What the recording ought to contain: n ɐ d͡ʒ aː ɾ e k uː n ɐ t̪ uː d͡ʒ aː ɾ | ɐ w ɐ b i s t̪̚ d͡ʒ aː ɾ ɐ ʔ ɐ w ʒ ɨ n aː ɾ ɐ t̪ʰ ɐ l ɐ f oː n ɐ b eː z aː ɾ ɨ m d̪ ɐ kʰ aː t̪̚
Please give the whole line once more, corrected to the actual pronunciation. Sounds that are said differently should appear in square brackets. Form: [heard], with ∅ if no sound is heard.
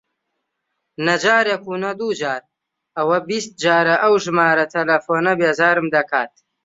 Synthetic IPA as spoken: n ɐ d͡ʒ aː ɾ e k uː n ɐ [d̪] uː d͡ʒ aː ɾ | ɐ w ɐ b i s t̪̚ d͡ʒ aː ɾ ɐ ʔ ɐ w ʒ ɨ [m] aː ɾ ɐ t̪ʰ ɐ l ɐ f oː n ɐ b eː z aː ɾ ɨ m d̪ ɐ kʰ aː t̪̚